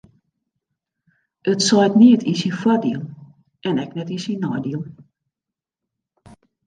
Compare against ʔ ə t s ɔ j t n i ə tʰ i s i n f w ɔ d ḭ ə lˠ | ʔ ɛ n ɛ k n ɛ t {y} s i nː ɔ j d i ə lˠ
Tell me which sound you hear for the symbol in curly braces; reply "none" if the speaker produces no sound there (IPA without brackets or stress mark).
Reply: i